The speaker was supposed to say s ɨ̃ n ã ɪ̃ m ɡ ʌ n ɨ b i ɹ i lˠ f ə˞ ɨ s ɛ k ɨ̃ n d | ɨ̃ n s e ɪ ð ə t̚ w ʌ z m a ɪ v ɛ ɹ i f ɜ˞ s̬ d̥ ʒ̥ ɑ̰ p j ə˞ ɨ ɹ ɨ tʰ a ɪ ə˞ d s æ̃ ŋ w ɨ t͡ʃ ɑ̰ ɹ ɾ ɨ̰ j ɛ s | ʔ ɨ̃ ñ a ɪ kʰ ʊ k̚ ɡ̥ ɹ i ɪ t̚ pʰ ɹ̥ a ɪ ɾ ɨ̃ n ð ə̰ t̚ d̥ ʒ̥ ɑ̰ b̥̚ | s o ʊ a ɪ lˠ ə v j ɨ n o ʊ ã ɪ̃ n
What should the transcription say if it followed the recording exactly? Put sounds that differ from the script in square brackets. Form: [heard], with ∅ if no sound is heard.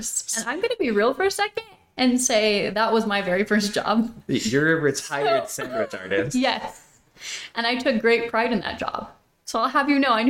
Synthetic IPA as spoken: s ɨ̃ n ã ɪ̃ m ɡ ʌ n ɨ b i ɹ i lˠ f ə˞ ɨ s ɛ k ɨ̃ n d | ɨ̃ n s e ɪ ð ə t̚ w ʌ z m a ɪ v ɛ ɹ i f ɜ˞ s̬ d̥ ʒ̥ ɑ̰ [b] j ə˞ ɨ ɹ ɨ tʰ a ɪ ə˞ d s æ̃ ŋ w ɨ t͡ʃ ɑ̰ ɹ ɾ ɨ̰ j ɛ s | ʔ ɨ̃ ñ a ɪ [tʰ] ʊ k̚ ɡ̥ ɹ [e] ɪ t̚ pʰ ɹ̥ a ɪ ɾ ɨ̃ n ð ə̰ t̚ d̥ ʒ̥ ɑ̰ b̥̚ | s o ʊ a ɪ lˠ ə v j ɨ n o ʊ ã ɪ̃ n